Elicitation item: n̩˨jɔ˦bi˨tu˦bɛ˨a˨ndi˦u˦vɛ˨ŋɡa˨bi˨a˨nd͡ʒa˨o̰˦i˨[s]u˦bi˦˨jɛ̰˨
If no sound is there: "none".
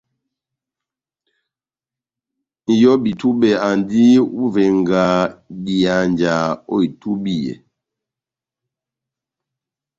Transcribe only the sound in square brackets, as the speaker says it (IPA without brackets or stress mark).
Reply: t